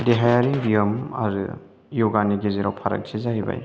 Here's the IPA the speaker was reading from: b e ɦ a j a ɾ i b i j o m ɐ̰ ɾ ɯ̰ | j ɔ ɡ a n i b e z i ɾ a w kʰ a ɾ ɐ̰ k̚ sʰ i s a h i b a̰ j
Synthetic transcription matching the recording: d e ɦ a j a ɾ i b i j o m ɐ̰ ɾ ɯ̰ | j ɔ ɡ a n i ɡ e z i ɾ a w pʰ a ɾ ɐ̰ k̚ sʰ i z a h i b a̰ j